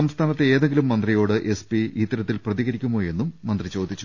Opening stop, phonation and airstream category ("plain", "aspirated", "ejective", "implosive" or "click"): aspirated